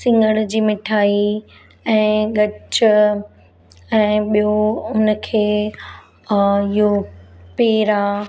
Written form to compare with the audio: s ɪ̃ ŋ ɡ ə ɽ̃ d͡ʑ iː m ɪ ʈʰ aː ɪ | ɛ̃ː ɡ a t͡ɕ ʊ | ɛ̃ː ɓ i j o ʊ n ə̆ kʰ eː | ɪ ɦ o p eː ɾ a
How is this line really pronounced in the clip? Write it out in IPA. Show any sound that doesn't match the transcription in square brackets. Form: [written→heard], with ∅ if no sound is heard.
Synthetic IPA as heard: s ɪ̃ ŋ ɡ ə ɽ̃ d͡ʑ iː m ɪ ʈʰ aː [ɪ→i] | ɛ̃ː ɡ [a→ɐ] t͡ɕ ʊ | ɛ̃ː ɓ i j o ʊ n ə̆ kʰ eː | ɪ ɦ o p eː ɾ a